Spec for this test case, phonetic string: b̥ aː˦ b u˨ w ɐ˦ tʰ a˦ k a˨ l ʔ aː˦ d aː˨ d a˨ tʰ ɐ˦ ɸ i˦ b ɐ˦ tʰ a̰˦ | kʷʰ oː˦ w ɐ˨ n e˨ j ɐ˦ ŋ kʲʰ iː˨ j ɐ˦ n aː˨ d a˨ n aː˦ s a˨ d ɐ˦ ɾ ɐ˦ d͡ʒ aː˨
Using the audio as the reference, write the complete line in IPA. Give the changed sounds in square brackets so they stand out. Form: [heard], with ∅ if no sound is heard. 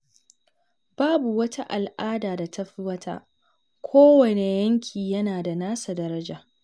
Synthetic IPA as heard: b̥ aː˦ b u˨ w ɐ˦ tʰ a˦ [ʔ] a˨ l ʔ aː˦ d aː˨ d a˨ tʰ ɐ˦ ɸ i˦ [w] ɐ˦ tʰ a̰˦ | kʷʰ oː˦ w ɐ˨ n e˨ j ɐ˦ ŋ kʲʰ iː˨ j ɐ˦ n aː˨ d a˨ n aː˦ s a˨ d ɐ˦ ɾ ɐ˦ d͡ʒ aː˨